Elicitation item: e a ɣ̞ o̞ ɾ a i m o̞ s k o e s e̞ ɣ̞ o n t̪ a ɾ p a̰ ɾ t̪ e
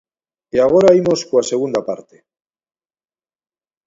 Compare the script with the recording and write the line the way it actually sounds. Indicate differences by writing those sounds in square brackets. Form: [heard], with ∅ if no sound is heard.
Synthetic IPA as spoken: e a ɣ̞ o̞ ɾ a i m o̞ s k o [a] s e̞ ɣ̞ [u] n [d̪] a [∅] p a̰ ɾ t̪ e